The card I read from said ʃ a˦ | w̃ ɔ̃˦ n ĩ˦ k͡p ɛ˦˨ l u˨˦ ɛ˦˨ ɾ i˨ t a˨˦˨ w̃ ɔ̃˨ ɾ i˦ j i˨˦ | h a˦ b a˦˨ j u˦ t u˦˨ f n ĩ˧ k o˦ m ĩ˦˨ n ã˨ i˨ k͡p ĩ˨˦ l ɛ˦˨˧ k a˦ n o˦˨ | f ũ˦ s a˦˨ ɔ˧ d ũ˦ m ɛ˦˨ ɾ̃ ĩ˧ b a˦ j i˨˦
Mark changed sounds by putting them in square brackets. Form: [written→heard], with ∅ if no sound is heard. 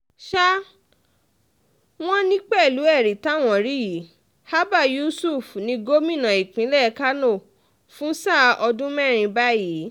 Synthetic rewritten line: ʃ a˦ | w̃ ɔ̃˦ n ĩ˦ k͡p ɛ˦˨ l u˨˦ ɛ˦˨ ɾ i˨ t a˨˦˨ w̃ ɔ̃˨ ɾ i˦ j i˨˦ | h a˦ b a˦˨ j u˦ [t→s] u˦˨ f n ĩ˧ [k→ɡ] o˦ m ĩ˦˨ n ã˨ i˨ k͡p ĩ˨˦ l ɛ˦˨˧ k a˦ n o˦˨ | f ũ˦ s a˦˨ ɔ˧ d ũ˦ m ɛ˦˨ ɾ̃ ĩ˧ b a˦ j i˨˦